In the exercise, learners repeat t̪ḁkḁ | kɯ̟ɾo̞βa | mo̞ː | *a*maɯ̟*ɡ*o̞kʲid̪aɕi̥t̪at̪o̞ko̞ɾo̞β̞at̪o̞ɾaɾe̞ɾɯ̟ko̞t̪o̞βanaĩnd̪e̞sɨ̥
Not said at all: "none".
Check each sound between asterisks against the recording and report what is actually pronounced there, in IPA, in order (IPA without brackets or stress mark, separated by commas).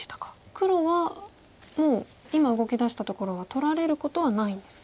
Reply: i, ɡ